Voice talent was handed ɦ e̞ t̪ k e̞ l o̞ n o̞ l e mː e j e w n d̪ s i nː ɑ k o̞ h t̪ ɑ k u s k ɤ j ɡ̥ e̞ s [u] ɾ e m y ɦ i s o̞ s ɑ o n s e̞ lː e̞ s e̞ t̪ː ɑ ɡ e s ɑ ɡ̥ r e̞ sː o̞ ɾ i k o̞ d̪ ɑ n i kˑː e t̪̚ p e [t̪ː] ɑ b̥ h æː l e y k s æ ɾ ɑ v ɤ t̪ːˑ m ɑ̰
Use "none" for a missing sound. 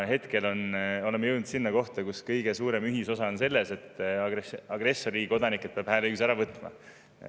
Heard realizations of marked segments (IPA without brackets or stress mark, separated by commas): uː, none